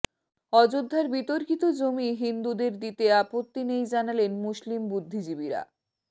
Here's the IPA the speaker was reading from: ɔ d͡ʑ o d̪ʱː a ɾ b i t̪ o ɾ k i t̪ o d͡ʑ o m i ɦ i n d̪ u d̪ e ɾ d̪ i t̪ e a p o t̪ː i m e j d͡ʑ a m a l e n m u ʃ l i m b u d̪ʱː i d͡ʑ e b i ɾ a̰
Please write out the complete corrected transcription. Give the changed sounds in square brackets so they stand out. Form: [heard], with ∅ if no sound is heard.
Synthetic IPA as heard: ɔ d͡ʑ o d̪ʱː a ɾ b i t̪ o ɾ k i t̪ o d͡ʑ o m i ɦ i n d̪ u d̪ e ɾ d̪ i t̪ e a p o t̪ː i [n] e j d͡ʑ a [n] a l e n m u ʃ l i m b u d̪ʱː i d͡ʑ [i] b i ɾ a̰